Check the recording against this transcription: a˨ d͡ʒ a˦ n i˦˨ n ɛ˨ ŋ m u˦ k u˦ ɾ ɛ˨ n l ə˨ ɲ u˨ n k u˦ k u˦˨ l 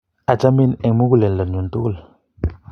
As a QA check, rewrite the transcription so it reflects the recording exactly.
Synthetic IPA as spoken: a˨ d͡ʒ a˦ m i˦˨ n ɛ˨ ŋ m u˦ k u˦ l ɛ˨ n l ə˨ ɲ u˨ n t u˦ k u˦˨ l